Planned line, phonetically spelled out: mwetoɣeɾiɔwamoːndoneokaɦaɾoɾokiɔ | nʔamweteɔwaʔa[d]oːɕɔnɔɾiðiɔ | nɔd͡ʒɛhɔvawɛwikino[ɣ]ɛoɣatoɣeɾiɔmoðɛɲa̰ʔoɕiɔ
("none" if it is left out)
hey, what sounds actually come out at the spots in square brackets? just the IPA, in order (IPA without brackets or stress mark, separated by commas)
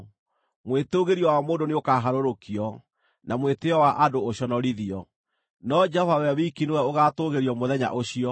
d, w